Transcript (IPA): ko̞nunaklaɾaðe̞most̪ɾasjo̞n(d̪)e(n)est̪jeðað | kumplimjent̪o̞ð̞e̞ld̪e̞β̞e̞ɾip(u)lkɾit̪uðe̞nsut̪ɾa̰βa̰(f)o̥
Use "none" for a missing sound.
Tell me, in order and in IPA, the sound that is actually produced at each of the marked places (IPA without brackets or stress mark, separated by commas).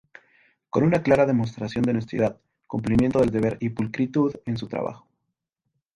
d̪, n, u, x